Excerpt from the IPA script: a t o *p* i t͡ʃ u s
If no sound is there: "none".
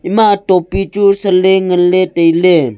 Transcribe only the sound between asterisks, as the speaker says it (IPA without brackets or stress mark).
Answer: p